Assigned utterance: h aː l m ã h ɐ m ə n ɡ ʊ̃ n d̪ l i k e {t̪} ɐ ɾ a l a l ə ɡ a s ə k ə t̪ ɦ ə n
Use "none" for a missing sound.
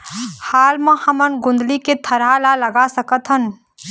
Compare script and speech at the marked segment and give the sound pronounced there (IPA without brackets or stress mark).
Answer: t̪ʰ